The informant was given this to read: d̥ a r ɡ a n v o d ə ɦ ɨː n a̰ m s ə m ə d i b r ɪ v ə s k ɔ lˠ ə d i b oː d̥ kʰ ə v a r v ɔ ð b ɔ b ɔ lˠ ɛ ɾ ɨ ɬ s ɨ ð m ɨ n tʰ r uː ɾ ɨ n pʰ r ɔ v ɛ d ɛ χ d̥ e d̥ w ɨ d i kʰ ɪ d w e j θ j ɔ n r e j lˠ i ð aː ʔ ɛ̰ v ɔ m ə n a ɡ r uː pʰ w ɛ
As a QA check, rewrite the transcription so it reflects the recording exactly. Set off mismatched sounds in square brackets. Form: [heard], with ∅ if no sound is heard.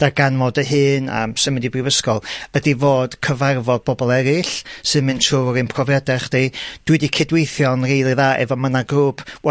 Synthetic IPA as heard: d̥ a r ɡ a n v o d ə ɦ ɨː n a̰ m s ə m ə d i b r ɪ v ə s k ɔ lˠ ə d i [v] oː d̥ kʰ ə v a r v ɔ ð b ɔ b ɔ lˠ ɛ ɾ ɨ ɬ s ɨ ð m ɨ n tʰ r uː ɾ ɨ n pʰ r ɔ v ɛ d ɛ χ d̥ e d̥ w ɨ d i kʰ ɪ d w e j θ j ɔ n r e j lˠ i ð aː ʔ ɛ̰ v ɔ m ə n a ɡ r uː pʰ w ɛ